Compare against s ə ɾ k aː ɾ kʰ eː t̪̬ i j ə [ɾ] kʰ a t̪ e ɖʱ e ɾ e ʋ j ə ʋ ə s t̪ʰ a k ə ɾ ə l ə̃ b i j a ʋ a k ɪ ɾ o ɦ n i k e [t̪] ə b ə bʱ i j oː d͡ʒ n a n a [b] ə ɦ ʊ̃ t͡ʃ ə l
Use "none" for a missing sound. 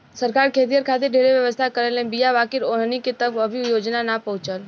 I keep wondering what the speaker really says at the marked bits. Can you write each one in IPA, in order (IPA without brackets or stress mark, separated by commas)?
ɾ, t̪, p